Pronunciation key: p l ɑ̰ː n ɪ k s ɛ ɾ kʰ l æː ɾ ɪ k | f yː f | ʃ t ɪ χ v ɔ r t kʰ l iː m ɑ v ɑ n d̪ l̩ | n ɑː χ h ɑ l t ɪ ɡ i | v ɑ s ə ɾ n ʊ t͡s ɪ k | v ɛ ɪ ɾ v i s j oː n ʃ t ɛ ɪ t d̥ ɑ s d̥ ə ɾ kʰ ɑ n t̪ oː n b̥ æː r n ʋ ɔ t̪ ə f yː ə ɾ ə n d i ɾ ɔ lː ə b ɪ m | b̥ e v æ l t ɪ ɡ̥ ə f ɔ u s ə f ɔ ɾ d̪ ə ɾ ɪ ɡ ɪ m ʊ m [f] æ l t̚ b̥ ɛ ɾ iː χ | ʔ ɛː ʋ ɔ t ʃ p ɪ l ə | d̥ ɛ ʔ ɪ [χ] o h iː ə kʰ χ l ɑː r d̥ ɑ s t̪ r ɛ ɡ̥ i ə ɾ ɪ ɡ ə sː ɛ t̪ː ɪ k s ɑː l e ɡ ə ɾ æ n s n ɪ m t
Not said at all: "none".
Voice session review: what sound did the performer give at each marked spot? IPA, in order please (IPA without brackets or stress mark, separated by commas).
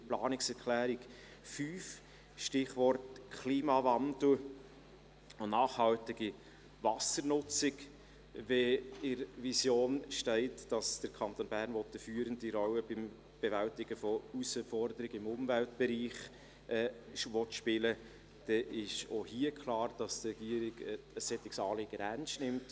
v, ʃ